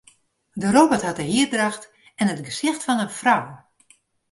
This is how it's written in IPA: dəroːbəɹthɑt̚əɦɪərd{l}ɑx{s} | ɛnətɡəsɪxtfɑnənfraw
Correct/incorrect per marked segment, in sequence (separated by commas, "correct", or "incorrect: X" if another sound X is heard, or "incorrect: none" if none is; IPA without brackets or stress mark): incorrect: r, incorrect: t